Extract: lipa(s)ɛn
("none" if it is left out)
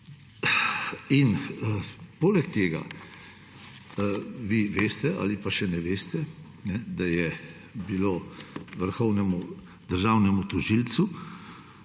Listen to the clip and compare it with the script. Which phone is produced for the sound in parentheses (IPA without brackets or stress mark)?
ʃ